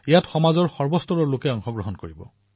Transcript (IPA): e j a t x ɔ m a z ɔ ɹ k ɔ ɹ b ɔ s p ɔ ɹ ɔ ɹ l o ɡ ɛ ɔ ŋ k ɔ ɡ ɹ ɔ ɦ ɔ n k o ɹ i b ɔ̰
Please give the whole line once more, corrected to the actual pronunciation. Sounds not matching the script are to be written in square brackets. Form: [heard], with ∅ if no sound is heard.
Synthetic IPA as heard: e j a t x ɔ m a z ɔ ɹ [x] ɔ ɹ b ɔ s [t] ɔ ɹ ɔ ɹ l o [k] ɛ ɔ ŋ [x] ɔ ɡ ɹ ɔ ɦ ɔ n k o ɹ i b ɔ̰